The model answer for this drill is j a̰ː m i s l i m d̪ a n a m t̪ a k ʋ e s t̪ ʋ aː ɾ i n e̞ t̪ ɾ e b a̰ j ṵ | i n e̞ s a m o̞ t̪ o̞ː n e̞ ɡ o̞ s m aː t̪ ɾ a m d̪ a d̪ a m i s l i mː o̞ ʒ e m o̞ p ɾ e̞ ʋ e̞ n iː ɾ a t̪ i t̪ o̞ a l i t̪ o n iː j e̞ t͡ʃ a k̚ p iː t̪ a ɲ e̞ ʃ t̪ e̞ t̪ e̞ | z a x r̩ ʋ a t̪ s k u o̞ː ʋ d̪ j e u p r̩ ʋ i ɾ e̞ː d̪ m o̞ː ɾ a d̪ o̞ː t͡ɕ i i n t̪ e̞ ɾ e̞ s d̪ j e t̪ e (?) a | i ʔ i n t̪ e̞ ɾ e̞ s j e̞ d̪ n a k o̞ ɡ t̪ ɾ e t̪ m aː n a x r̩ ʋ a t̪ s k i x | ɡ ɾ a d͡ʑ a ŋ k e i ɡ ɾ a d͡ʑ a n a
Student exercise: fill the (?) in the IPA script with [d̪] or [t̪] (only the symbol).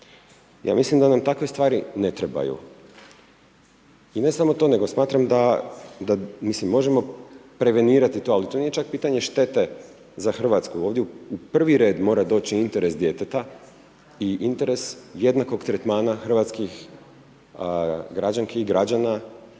t̪